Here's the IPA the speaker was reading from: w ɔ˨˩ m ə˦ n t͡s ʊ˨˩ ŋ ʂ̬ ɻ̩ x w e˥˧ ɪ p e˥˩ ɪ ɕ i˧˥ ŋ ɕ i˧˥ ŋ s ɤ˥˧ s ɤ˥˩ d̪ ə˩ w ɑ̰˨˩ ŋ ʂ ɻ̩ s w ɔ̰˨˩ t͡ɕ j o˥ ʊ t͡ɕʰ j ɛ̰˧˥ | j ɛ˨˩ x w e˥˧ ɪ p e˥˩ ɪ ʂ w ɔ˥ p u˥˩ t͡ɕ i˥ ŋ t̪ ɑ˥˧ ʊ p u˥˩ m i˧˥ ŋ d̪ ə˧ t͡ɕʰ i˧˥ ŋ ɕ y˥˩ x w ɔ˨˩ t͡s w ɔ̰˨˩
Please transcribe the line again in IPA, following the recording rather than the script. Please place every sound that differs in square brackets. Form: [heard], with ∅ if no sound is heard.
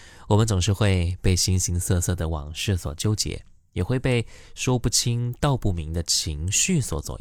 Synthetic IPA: w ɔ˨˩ m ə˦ n t͡s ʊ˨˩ ŋ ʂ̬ ɻ̩ x w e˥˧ ɪ p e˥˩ ɪ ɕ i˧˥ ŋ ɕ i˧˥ ŋ s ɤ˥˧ s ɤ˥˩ d̪ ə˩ w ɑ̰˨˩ ŋ ʂ ɻ̩ s w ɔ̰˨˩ t͡ɕ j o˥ ʊ [t͡ɕ] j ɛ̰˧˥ | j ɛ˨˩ x w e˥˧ ɪ p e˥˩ ɪ ʂ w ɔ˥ p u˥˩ [t͡ɕʰ] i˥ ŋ t̪ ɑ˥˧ ʊ p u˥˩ m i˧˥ ŋ d̪ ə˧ t͡ɕʰ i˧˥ ŋ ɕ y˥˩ [s] w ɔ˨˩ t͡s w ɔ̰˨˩